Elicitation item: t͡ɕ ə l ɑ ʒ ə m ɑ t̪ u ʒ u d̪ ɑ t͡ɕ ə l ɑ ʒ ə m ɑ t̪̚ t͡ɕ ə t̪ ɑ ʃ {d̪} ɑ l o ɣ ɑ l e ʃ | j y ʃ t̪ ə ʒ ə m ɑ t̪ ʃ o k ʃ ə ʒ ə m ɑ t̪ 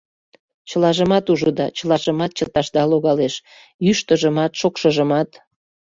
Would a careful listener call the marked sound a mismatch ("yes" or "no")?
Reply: no